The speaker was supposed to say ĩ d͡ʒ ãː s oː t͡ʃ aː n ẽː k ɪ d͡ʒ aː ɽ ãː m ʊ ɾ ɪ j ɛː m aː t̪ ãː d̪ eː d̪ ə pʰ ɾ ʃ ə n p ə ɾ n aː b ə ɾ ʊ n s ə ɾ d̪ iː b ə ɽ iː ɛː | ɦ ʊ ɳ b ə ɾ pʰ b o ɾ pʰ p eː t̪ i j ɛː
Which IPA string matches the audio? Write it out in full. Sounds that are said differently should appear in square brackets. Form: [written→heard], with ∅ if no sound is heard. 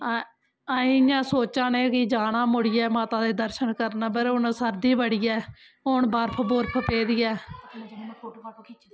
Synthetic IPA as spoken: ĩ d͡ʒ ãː s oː t͡ʃ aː n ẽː k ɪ d͡ʒ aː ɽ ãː m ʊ [ɾ→ɽ] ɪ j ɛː m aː t̪ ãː d̪ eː d̪ ə [pʰ→∅] ɾ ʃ ə n [p→k] ə ɾ n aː b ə ɾ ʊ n s ə ɾ d̪ iː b ə ɽ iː ɛː | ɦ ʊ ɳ b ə ɾ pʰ b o ɾ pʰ p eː [t̪→d̪] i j ɛː